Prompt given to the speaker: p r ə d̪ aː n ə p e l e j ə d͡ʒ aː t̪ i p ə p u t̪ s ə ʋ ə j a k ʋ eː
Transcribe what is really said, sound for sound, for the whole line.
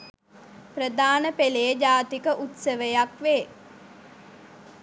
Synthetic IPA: p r ə d̪ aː n ə p e l e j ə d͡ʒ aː t̪ i k ə ʔ u t̪ s ə ʋ ə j a k ʋ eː